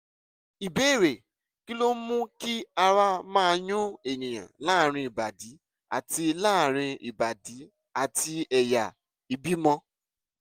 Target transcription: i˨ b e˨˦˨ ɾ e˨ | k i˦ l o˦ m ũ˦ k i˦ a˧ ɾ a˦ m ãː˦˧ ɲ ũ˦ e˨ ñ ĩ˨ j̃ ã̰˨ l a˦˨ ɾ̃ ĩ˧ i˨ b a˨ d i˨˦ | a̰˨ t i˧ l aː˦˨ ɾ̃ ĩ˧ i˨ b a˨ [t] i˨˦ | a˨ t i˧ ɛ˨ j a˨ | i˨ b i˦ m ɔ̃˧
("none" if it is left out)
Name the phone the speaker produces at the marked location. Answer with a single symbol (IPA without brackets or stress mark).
d